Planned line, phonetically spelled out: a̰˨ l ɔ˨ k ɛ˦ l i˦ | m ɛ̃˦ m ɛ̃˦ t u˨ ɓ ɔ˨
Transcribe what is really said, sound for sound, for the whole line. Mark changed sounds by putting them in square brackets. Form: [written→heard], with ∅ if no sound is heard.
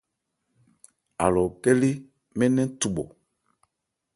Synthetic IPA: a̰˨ l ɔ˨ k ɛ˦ l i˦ | m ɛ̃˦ [m→n] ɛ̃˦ t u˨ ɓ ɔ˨